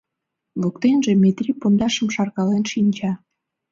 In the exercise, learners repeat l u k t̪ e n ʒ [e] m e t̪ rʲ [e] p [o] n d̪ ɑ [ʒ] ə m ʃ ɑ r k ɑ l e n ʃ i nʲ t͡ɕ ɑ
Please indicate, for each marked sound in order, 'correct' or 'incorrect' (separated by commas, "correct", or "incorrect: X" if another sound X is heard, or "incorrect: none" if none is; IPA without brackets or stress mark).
correct, incorrect: i, correct, incorrect: ʃ